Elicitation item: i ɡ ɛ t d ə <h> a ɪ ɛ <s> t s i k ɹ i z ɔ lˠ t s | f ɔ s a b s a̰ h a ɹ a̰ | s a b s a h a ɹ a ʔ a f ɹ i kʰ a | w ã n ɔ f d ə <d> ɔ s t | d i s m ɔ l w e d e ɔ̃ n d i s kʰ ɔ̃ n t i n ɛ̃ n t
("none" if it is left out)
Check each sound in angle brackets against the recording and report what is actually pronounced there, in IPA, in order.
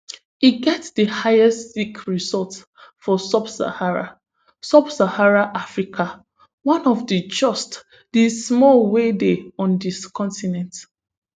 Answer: h, s, d͡ʒ

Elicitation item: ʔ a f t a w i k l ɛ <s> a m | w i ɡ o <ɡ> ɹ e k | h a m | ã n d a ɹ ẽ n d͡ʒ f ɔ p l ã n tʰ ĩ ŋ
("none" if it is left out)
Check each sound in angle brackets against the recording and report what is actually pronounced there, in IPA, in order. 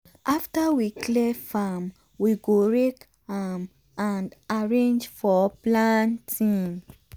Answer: f, none

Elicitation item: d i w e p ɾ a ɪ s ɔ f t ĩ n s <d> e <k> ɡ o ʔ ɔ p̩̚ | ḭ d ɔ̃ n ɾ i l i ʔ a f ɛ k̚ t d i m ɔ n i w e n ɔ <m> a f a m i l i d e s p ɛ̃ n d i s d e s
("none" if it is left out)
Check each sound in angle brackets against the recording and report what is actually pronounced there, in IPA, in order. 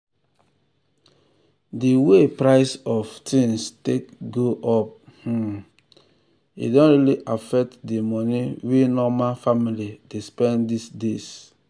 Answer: t, k, m

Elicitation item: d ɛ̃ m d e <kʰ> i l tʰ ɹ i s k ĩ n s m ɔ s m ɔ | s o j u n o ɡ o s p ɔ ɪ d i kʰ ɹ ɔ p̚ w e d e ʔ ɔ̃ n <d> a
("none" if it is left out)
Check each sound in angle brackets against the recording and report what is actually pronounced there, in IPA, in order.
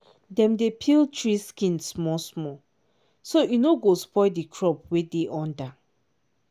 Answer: pʰ, d

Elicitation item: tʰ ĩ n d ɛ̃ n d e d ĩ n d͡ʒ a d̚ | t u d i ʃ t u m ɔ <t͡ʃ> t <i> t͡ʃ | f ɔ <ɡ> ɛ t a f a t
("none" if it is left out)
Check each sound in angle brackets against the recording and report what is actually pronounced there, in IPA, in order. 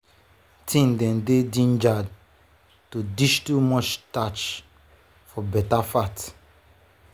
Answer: t͡ʃ, a, b

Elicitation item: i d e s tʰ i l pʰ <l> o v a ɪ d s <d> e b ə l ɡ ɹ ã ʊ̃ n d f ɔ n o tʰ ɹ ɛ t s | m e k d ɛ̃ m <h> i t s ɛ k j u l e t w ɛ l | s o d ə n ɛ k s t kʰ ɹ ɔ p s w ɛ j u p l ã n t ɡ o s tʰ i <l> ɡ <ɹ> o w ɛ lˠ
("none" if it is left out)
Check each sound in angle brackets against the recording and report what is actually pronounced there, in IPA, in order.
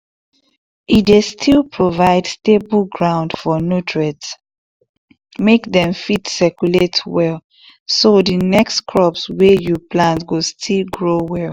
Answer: ɹ, t, f, l, ɹ

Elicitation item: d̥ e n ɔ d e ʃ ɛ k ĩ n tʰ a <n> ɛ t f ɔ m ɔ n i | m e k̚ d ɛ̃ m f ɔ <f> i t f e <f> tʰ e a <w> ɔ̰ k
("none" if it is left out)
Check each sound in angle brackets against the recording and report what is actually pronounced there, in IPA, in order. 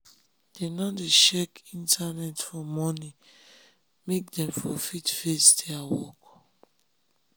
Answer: n, f, s, w

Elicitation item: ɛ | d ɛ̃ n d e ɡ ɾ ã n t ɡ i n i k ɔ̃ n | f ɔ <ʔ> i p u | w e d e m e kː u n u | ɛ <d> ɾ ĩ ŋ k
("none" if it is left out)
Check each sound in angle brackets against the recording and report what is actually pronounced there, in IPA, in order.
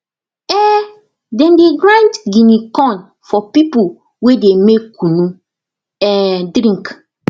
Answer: p, d

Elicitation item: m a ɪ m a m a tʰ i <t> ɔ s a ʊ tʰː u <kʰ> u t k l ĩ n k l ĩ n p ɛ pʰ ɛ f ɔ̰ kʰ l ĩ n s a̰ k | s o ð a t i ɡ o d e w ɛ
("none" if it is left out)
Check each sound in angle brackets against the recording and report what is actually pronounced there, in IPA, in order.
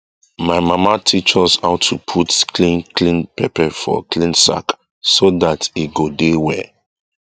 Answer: t͡ʃ, pʰ

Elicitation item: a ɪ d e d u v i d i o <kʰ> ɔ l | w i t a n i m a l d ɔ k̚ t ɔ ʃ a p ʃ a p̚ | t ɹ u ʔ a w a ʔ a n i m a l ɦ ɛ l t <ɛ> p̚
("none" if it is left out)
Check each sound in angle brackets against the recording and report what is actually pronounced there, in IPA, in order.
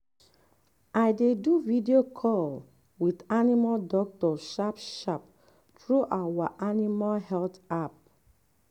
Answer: kʰ, a

